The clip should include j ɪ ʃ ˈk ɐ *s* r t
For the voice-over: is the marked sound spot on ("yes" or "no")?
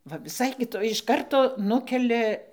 no